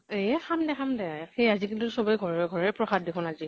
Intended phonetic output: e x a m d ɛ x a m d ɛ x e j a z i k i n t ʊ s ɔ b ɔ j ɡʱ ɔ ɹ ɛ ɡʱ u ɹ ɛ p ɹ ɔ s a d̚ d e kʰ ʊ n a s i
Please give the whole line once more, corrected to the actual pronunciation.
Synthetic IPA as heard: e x a m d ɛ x a m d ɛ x e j a z i k i n t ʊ s ɔ b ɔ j ɡʱ ɔ ɹ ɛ ɡʱ ɔ ɹ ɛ p ɹ ɔ x a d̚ d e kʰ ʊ n a z i